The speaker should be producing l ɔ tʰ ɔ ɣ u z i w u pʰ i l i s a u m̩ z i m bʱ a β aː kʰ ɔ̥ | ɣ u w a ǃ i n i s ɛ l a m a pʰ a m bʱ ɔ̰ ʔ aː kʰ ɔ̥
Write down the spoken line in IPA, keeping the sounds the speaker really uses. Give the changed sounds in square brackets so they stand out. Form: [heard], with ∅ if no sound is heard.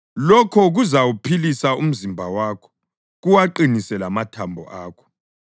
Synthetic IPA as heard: l ɔ [kʰ] ɔ ɣ u z [a] w u pʰ i l i s a u m̩ z i m bʱ a [w] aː kʰ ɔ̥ | ɣ u w a ǃ i n i s ɛ l a m a [tʰ] a m bʱ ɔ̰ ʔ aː kʰ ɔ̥